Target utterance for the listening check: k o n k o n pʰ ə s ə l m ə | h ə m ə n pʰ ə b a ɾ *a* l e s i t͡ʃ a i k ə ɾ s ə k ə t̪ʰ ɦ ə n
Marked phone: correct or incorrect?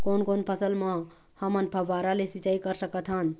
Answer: correct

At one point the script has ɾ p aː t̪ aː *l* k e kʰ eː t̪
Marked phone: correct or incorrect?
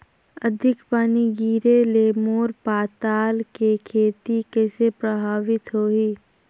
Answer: correct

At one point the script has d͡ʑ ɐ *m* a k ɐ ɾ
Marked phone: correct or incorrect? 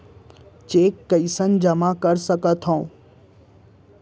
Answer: correct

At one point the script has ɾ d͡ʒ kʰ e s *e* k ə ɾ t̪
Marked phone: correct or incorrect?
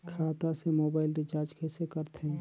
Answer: correct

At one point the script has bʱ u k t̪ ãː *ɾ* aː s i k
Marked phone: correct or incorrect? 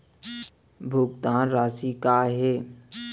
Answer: correct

